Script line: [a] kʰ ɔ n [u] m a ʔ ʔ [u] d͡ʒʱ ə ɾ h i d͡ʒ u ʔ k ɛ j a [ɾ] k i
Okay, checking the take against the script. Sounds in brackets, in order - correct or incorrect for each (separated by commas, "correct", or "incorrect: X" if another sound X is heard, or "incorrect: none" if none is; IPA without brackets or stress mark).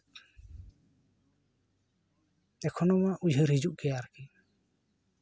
incorrect: ɛ, incorrect: ɔ, correct, correct